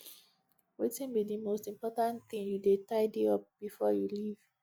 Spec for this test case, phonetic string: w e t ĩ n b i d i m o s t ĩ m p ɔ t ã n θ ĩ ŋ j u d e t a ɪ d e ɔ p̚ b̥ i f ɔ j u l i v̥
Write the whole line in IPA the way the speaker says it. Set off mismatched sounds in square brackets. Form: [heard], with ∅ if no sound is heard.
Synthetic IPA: w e t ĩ n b i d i m o s t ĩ m p ɔ t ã n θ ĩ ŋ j u d e t a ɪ d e ɔ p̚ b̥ i f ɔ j u l i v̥